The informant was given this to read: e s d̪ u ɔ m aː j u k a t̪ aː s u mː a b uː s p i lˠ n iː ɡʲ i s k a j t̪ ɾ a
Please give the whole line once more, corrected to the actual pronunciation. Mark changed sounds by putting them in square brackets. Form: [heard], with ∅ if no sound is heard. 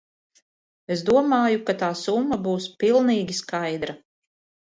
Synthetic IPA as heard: e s d̪ u ɔ m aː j u k a t̪ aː s u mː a b uː s p i lˠ n iː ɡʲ i s k a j [d̪] ɾ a